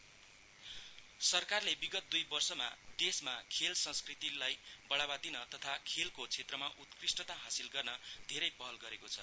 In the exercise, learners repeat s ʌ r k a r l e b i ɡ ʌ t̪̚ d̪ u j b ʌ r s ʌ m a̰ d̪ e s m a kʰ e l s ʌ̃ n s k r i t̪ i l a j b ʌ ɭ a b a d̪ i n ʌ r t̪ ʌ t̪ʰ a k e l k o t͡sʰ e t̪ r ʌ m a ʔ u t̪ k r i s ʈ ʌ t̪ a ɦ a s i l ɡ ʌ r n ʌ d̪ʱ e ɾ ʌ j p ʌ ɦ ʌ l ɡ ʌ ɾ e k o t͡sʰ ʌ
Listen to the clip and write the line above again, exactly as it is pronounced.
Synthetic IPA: s ʌ r k a r l e b i ɡ ʌ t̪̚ d̪ u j b ʌ r s ʌ m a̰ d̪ e s m a kʰ e l s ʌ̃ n s k r i t̪ i l a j b ʌ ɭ a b a d̪ i n ʌ t̪ ʌ t̪ʰ a kʰ e l k o t͡sʰ e t̪ r ʌ m a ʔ u t̪ k r i s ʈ ʌ t̪ a ɦ a s i l ɡ ʌ r n ʌ d̪ʱ e ɾ ʌ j p ʌ ɦ ʌ l ɡ ʌ ɾ e k o t͡sʰ ʌ